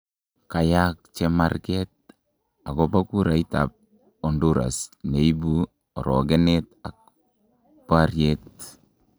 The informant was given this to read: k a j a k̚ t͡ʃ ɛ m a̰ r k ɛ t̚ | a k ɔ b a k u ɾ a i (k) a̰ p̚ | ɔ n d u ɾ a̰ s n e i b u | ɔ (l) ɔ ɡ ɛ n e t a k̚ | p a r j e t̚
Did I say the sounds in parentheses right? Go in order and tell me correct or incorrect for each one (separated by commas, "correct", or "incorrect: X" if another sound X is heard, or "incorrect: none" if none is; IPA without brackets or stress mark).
incorrect: t, incorrect: ɾ